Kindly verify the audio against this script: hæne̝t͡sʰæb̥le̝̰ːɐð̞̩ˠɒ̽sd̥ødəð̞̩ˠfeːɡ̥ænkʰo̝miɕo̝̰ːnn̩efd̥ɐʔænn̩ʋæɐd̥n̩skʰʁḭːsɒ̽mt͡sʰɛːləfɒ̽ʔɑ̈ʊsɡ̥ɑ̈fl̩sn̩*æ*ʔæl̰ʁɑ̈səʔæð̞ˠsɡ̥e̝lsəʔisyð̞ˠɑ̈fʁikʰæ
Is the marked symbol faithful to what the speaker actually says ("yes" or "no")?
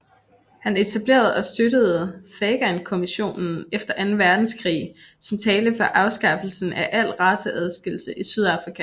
yes